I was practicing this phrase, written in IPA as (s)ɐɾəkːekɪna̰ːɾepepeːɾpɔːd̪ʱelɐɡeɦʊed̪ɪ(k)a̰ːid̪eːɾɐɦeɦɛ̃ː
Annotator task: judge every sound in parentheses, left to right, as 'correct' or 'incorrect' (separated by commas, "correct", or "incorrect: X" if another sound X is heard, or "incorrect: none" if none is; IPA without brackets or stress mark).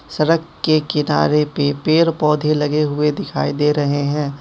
correct, incorrect: kʰ